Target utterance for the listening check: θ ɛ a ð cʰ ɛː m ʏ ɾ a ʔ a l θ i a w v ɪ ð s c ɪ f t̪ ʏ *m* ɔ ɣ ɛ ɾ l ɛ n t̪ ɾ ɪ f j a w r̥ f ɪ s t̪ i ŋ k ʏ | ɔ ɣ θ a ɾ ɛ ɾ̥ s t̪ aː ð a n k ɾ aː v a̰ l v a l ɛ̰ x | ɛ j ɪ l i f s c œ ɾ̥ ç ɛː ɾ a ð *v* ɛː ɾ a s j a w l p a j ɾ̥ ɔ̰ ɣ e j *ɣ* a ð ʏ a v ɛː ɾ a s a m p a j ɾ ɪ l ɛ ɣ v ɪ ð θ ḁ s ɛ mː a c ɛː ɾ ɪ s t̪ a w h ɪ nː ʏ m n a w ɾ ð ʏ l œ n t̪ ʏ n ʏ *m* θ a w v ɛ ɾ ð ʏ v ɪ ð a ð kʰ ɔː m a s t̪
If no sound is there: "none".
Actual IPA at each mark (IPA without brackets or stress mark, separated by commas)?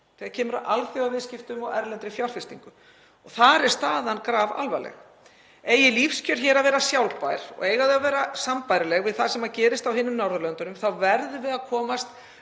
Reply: m, v, ɣ, m